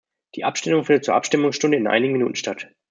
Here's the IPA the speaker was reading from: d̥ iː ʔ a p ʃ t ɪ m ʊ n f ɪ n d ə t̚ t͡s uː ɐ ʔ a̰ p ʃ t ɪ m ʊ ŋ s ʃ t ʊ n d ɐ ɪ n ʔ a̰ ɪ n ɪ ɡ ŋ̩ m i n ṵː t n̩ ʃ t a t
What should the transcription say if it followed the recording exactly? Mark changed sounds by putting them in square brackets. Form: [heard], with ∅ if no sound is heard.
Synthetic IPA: d̥ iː ʔ a p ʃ t ɪ m ʊ [ŋ] f ɪ n d ə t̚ t͡s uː ɐ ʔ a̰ p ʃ t ɪ m ʊ ŋ s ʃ t ʊ n d [ə] ɪ n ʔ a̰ ɪ n ɪ ɡ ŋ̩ m i n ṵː t n̩ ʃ t a t